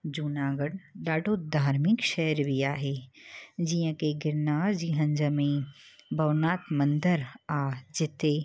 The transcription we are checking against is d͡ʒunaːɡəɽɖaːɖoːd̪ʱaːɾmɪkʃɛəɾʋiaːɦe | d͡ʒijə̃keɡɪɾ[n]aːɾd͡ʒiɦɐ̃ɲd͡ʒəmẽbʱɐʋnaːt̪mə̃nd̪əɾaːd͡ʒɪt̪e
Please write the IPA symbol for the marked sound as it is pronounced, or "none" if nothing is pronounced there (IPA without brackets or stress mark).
n